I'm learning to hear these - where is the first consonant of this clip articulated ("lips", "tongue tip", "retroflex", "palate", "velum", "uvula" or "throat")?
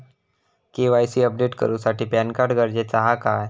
velum